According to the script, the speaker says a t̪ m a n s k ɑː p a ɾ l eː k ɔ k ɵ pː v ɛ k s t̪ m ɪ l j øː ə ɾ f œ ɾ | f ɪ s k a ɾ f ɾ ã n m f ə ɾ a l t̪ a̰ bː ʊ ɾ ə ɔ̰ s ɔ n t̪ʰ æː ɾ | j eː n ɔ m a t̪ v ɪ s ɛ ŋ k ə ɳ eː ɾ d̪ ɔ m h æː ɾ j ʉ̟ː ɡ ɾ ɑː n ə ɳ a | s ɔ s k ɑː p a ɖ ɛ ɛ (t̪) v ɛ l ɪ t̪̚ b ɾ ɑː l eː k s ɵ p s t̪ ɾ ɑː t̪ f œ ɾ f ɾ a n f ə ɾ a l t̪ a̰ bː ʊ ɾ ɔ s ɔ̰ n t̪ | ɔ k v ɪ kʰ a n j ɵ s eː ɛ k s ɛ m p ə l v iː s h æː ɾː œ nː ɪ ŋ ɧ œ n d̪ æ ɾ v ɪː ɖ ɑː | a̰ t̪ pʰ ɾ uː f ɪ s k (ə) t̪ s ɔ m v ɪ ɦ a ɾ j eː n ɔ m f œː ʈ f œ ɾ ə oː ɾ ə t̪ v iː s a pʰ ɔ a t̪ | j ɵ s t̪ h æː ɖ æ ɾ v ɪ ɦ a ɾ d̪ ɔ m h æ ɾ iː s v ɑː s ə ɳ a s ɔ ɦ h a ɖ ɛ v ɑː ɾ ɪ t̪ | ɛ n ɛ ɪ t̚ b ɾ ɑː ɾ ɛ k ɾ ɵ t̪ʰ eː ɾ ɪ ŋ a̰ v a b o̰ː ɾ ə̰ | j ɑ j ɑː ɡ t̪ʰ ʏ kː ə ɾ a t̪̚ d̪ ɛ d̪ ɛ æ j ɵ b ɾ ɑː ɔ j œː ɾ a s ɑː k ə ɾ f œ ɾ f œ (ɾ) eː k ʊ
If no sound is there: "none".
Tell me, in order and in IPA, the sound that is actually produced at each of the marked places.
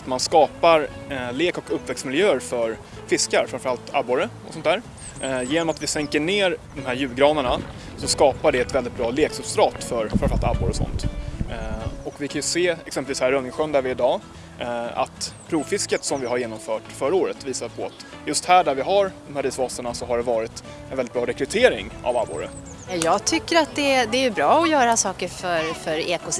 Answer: t̪, ə, ɾ

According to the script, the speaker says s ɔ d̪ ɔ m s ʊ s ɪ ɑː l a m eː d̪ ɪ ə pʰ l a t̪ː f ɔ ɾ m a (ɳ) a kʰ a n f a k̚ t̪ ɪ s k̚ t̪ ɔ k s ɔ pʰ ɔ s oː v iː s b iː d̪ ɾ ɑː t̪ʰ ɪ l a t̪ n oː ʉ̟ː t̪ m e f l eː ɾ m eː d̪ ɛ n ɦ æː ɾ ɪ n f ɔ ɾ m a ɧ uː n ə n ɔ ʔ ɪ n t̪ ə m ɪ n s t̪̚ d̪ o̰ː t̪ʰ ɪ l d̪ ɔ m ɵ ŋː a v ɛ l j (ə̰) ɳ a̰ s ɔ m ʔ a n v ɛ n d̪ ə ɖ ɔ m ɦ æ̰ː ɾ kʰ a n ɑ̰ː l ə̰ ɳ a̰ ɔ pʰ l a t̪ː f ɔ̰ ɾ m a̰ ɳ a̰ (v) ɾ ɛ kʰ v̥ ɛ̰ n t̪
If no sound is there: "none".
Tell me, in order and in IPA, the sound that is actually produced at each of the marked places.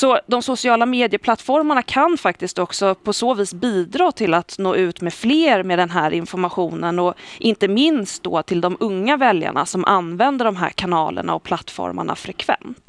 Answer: ɳ, a̰, f

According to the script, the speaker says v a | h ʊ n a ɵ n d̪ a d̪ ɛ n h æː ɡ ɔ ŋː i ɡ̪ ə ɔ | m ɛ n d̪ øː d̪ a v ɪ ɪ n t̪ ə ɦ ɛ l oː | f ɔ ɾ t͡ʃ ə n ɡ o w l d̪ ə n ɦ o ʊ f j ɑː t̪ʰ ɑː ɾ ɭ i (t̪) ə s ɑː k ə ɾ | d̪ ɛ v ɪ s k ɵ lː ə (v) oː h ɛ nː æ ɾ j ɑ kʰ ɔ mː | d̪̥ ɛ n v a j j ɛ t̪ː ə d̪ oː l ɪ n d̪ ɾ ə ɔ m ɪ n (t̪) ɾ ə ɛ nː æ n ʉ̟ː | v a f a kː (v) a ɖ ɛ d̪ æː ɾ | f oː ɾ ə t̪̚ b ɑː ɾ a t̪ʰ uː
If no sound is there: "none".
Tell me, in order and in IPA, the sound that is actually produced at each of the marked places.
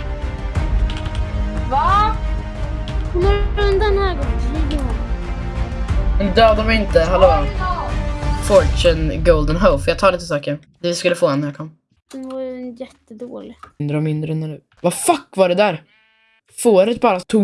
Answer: t̪, f, d̪, v

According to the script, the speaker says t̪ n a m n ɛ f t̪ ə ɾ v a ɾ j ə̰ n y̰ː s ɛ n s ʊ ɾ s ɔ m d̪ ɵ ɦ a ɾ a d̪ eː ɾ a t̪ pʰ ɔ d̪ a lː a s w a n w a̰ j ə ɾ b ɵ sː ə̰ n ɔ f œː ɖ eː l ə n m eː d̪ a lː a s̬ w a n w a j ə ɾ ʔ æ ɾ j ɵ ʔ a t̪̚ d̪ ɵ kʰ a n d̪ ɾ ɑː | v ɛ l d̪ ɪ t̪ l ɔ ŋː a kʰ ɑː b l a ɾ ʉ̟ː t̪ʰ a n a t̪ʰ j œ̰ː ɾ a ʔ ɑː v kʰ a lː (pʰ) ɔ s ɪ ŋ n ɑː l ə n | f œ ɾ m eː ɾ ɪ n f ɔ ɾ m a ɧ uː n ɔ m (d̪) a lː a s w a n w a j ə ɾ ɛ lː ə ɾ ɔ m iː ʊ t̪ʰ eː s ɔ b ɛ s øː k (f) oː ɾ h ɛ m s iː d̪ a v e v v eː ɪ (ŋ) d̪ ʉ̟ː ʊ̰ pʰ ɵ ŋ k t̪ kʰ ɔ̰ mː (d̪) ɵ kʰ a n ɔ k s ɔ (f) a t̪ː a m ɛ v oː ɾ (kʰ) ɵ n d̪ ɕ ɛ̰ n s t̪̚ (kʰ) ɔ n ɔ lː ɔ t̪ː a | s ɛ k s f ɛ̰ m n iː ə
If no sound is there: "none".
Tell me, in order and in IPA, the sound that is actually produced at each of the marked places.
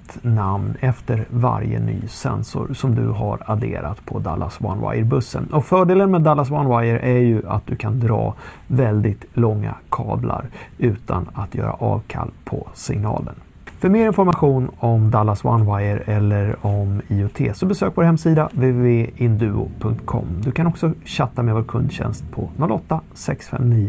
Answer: pʰ, d̪, v, n, d̪, ɕ, kʰ, pʰ

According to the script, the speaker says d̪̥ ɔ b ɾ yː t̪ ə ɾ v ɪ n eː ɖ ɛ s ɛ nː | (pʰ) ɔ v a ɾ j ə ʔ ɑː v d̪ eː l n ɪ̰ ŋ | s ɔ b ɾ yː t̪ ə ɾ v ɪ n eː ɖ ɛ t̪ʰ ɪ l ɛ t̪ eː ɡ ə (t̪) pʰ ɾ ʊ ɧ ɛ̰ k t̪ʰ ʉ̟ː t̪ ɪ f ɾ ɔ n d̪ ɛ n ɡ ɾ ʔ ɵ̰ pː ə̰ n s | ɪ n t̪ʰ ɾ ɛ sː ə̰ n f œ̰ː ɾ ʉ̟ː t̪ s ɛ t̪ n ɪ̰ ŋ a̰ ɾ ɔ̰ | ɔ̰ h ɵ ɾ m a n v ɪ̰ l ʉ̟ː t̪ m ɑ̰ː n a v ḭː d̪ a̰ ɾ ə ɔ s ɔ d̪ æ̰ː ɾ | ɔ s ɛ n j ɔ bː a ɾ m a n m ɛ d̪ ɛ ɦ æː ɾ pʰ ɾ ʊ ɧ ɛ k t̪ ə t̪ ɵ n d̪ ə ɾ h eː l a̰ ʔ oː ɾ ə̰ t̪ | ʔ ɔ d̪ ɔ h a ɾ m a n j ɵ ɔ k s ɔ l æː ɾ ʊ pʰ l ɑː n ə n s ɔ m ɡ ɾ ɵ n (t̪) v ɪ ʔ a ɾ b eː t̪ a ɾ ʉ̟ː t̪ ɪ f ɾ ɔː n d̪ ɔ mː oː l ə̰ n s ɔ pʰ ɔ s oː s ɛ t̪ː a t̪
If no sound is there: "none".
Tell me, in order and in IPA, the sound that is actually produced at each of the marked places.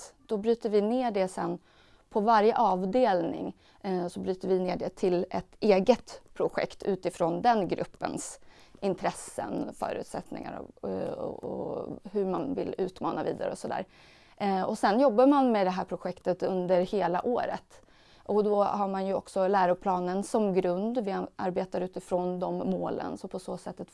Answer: pʰ, t̪, d̪

